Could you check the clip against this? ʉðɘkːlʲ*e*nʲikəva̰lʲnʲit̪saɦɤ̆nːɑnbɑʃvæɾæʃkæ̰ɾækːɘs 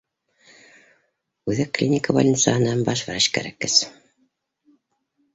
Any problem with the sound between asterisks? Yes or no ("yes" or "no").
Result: yes